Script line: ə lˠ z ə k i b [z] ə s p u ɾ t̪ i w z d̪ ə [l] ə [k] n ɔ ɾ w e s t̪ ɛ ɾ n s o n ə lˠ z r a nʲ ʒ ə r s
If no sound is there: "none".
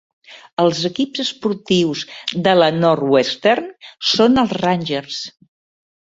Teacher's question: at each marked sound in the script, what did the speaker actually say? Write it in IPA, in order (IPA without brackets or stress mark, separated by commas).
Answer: z, l, none